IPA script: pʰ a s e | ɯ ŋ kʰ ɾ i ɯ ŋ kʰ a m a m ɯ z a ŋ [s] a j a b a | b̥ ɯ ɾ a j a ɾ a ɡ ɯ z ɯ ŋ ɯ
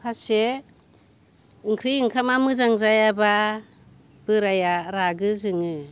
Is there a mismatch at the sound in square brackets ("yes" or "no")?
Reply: yes